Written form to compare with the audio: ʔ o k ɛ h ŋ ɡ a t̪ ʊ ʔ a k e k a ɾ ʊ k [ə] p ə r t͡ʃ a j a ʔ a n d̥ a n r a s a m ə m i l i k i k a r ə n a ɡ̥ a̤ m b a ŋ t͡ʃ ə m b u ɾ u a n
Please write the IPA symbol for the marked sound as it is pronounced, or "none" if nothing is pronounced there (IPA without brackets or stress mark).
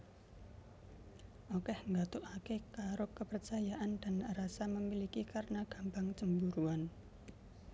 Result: ə